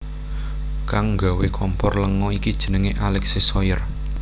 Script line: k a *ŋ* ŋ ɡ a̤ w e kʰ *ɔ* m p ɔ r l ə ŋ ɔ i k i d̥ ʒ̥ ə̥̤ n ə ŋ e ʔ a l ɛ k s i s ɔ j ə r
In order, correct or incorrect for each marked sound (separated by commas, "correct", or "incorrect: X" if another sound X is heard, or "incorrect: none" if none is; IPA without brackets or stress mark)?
correct, correct